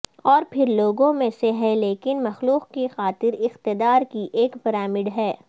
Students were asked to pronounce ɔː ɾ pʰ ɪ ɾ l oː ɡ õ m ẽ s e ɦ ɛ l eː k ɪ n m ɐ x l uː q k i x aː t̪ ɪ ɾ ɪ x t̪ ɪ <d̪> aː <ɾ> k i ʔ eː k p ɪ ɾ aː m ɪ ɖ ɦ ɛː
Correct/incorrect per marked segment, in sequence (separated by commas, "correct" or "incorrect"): correct, correct